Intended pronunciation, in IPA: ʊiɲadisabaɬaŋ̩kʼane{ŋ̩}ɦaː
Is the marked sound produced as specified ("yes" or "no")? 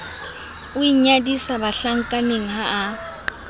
yes